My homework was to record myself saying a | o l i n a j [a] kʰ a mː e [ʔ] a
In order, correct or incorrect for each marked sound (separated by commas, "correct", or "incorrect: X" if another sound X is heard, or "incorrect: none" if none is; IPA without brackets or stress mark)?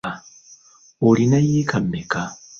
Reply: incorrect: i, incorrect: k